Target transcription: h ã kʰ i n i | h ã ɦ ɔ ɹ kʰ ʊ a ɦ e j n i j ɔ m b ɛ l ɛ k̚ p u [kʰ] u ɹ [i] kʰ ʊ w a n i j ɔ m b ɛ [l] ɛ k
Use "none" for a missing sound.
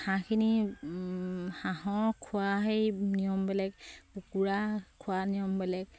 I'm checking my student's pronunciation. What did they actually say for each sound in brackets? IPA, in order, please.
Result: k, a, l

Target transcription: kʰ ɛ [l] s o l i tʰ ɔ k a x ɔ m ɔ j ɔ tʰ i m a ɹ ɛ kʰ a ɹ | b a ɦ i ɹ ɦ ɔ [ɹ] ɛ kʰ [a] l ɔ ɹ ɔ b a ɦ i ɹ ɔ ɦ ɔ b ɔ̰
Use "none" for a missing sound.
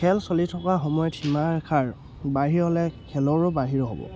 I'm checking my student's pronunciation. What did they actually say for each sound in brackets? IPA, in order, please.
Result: l, l, ɛ

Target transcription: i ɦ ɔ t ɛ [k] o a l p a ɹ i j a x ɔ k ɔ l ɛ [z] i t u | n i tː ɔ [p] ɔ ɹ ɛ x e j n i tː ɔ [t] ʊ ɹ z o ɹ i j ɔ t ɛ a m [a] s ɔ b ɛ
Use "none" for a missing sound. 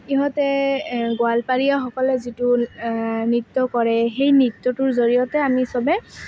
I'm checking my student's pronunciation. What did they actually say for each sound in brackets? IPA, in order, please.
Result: ɡ, z, k, t, i

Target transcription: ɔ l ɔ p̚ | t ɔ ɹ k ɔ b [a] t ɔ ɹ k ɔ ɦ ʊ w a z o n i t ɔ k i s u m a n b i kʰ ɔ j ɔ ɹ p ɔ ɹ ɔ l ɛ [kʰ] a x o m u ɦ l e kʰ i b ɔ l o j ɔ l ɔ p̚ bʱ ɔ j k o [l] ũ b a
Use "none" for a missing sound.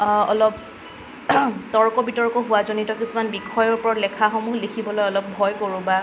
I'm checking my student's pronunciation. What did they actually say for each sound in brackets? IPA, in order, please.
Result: i, kʰ, ɹ

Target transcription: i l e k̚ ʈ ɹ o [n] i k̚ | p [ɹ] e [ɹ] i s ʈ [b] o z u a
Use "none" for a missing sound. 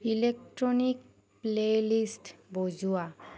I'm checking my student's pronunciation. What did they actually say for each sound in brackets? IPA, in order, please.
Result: n, l, l, b

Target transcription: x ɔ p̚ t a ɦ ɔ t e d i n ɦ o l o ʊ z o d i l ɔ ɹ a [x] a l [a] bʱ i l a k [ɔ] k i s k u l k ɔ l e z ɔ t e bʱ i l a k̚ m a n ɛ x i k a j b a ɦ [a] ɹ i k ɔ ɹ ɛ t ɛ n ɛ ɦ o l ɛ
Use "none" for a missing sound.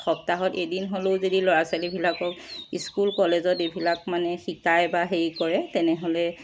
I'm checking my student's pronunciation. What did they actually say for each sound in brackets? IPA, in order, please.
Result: s, i, ɔ, e

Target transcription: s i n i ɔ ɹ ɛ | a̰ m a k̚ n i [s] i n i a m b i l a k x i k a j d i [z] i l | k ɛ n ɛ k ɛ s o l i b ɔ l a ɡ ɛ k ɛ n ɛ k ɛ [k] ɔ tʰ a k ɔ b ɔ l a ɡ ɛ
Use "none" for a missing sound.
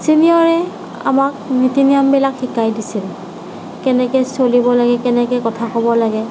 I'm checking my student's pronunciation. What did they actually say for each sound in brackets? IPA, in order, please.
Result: t, s, k

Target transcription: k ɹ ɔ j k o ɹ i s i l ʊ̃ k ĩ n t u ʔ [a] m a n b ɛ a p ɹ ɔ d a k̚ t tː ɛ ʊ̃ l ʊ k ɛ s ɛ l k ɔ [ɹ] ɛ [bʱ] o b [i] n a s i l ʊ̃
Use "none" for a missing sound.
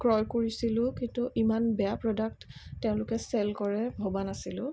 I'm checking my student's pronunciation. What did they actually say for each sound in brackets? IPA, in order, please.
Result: i, ɹ, bʱ, a

